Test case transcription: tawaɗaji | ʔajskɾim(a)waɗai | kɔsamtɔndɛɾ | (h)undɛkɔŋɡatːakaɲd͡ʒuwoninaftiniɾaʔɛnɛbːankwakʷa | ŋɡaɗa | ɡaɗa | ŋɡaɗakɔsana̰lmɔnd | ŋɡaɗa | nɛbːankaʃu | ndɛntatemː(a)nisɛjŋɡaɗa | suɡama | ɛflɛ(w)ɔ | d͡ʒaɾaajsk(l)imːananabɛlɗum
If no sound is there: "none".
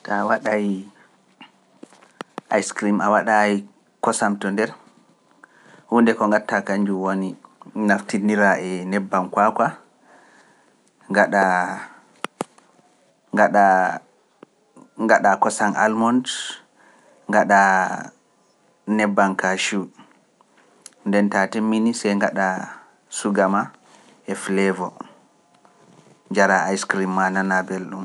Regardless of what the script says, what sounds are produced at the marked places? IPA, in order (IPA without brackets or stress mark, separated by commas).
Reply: a, h, i, v, ɾ